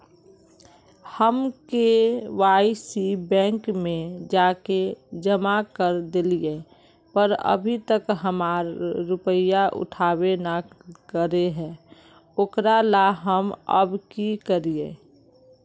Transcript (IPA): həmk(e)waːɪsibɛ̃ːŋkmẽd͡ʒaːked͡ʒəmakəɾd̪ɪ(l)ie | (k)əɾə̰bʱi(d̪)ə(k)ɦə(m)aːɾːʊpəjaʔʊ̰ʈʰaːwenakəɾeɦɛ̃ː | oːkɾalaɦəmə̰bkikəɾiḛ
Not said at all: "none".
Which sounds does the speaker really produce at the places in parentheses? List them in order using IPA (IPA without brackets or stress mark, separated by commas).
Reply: e, l, p, t̪, k, m